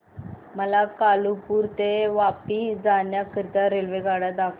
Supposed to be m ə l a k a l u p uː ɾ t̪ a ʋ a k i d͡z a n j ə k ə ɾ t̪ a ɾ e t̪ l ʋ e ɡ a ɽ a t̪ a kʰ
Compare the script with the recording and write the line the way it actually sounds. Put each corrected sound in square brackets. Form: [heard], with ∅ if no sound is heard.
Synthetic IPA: m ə l a k a l u p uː ɾ t̪ [e] ʋ a [p] i d͡z a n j [a] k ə ɾ t̪ a ɾ e [∅] l ʋ e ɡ a ɽ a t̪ a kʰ